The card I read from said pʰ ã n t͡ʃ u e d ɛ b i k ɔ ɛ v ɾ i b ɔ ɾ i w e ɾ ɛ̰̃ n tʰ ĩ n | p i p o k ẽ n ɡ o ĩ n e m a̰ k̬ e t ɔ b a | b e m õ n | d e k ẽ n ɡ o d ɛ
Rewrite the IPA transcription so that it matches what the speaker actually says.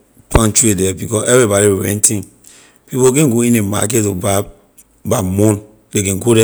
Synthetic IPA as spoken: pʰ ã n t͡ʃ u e d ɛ b i k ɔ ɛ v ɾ i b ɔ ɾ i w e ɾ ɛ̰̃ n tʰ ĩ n | p i p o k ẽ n ɡ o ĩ n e m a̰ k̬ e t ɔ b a | b a m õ n | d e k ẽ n ɡ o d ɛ